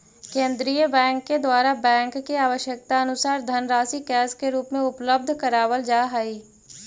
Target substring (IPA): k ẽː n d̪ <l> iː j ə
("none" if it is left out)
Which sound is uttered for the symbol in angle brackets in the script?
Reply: ɾ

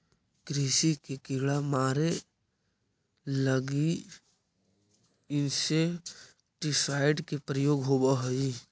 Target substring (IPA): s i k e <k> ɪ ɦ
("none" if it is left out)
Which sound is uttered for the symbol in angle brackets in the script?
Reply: k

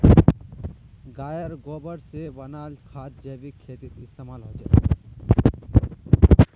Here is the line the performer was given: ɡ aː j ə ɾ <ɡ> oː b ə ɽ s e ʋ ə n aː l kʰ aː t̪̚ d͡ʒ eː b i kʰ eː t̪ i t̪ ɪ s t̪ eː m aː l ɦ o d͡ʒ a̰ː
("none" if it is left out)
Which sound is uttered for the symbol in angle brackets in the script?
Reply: ɡ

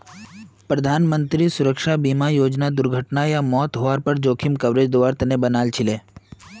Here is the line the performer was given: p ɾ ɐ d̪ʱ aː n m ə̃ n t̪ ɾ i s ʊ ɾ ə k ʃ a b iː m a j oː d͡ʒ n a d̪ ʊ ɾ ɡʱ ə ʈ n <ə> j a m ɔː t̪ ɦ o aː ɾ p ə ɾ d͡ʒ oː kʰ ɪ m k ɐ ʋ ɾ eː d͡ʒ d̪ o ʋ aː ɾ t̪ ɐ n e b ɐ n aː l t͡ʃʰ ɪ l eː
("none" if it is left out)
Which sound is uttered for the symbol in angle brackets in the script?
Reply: a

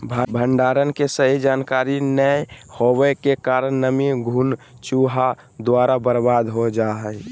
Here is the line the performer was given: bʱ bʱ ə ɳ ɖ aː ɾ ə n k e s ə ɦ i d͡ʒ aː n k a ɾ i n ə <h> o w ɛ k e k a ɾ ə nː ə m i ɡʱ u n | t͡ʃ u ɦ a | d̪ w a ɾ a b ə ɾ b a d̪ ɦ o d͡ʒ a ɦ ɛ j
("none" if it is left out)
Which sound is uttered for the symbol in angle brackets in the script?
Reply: h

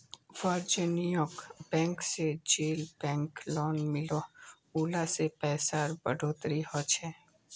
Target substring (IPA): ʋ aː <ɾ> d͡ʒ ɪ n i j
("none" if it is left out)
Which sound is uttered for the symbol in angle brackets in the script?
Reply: ɾ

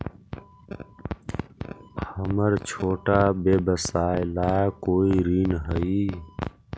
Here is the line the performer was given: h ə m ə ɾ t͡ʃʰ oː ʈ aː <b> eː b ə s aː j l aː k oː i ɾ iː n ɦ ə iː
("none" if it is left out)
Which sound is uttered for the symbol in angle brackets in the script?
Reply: b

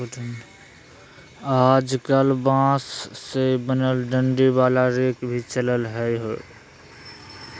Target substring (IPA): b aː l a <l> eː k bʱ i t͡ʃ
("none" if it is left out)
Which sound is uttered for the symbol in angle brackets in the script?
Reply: ɾ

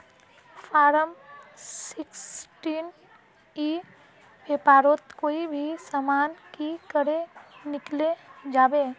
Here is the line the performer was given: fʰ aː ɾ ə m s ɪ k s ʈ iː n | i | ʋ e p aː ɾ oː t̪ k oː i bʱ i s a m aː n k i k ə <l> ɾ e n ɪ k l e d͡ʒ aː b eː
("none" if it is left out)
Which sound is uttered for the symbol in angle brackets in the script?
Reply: none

